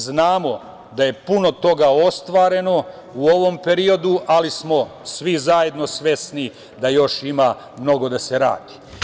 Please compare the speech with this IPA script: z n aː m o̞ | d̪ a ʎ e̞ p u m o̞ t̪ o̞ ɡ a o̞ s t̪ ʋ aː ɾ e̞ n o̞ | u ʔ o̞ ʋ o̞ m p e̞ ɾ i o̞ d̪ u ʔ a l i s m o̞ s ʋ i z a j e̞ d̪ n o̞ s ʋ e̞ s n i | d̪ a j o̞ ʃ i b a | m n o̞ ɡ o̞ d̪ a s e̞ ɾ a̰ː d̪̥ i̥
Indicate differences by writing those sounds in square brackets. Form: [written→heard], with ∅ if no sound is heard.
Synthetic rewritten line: z n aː m o̞ | d̪ a [ʎ→j] e̞ p u [m→n] o̞ t̪ o̞ ɡ a o̞ s t̪ ʋ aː ɾ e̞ n o̞ | u [ʔ→∅] o̞ ʋ o̞ m p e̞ ɾ i o̞ d̪ u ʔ a l i s m o̞ s ʋ i z a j e̞ d̪ n o̞ s ʋ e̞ s n i | d̪ a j o̞ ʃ i [b→m] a | m n o̞ ɡ o̞ d̪ a s e̞ ɾ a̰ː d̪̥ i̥